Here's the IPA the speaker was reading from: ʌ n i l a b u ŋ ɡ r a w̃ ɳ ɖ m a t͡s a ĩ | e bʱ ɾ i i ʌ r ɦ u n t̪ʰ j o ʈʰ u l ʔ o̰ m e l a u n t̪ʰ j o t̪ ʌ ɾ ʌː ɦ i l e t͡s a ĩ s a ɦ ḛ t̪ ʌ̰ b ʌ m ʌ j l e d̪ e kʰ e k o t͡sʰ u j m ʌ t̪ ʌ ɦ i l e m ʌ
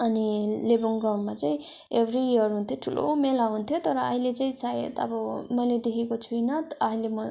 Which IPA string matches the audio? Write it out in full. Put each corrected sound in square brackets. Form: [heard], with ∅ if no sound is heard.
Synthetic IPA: ʌ n i l [e] b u ŋ ɡ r a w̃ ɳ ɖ m a t͡s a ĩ | e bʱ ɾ i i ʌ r ɦ u n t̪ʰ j o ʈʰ u l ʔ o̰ m e l a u n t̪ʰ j o t̪ ʌ ɾ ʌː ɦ i l e t͡s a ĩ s a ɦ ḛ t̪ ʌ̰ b ʌ m ʌ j l e d̪ e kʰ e k o t͡sʰ u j [n] ʌ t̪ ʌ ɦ i l e m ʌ